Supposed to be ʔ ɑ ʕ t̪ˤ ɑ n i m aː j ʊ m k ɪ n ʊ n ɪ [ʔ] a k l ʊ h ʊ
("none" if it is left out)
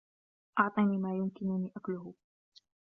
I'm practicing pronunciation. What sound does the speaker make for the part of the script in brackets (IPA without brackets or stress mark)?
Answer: ʔ